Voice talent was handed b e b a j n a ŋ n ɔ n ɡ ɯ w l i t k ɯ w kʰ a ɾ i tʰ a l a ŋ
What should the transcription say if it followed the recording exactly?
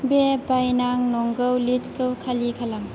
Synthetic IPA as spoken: b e b a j n a ŋ n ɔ ŋ ɡ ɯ w l i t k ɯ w kʰ a l i kʰ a l a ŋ